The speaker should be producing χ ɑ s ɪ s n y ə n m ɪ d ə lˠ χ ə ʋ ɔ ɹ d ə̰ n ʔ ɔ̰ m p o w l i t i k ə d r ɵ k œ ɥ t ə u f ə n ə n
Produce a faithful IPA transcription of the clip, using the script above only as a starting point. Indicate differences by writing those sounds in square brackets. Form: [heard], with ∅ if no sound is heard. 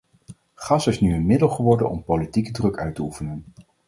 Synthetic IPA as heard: χ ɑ s ɪ s n y ə n m ɪ d ə lˠ χ ə ʋ ɔ ɹ d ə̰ n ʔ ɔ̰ m p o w l i t i k ə d r ɵ k œ ɥ t ə u f ə n ə n